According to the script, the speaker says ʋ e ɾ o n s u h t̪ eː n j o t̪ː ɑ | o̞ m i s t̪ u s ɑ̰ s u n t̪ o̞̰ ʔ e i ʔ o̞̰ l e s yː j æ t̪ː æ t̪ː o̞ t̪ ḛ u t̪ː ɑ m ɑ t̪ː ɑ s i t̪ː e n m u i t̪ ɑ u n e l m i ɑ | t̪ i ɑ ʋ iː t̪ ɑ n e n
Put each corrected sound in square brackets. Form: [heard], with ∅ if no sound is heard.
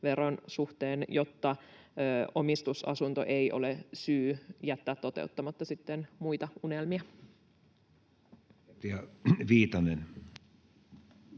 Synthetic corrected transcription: ʋ e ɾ o n s u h t̪ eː n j o t̪ː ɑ | o̞ m i s t̪ u s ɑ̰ s u n t̪ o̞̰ ʔ e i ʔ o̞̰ l e s yː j æ t̪ː [æː] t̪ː o̞ t̪ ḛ u t̪ː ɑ m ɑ t̪ː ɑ s i t̪ː e n m u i t̪ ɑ u n e l m i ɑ | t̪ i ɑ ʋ iː t̪ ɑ n e n